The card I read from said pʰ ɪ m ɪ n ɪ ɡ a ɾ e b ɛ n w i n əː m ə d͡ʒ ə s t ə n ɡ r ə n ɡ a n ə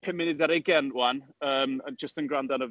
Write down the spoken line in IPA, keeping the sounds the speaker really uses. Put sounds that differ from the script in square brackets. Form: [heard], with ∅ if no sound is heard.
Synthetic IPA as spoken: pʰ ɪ m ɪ n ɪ [d] a ɾ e [ɡ] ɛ n w [a] n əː m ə d͡ʒ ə s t ə n ɡ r [a] n [d] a n ə